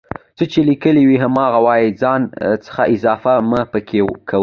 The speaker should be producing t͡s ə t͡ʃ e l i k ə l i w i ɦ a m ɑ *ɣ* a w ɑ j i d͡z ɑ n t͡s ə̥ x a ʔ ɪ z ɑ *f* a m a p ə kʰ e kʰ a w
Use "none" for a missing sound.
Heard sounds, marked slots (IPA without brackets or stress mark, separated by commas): ɣ, f